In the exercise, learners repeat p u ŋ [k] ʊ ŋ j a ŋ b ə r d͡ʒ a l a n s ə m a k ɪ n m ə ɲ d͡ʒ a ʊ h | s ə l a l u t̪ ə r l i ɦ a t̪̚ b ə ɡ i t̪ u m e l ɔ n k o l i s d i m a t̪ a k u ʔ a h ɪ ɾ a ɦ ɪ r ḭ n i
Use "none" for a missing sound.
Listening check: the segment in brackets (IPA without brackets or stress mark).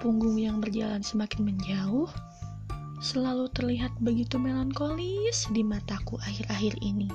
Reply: ɡ